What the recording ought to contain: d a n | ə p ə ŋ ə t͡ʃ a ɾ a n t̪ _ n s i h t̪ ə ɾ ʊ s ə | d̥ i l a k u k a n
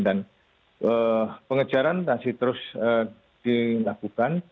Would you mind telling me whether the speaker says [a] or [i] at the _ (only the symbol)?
a